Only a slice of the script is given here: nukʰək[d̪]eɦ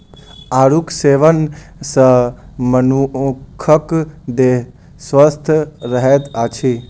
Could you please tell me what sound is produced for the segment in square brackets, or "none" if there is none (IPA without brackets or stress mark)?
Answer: d̪